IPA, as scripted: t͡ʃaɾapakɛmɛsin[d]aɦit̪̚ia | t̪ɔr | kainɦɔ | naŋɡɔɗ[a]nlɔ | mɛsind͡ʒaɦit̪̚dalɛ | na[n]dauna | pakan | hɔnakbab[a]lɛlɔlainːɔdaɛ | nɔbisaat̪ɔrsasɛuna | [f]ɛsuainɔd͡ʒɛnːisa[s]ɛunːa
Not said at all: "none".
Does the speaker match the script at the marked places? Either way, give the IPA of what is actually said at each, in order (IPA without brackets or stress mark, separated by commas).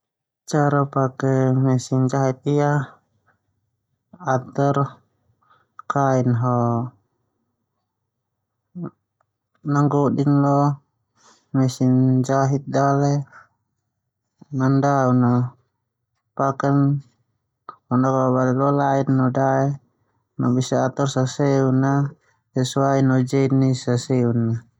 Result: d͡ʒ, i, n, a, s, s